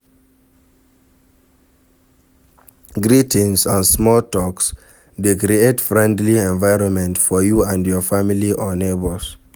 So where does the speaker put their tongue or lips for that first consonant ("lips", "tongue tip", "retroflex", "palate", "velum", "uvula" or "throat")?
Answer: velum